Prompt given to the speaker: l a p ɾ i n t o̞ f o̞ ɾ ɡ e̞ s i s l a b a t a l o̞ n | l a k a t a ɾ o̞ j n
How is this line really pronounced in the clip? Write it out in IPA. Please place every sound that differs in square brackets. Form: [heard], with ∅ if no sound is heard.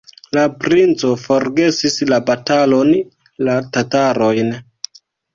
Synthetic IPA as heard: l a p ɾ i n [t͡s] o̞ f o̞ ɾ ɡ e̞ s i s l a b a t a l o̞ n | l a [t] a t a ɾ o̞ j n